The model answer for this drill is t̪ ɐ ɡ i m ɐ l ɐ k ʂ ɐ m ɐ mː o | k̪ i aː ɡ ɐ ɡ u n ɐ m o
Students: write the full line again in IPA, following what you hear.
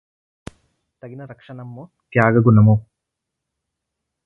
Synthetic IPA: t̪ ɐ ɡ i n ɐ ɾ ɐ k ʂ ɐ n ɐ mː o | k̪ j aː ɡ ɐ ɡ u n ɐ m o